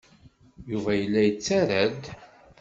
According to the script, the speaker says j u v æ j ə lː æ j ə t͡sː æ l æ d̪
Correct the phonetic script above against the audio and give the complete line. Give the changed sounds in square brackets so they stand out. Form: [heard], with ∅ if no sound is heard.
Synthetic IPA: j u v æ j ə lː æ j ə t͡sː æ [ɾ] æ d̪